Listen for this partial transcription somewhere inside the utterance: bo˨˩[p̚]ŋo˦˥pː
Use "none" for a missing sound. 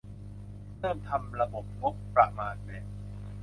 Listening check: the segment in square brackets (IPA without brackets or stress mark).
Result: p̚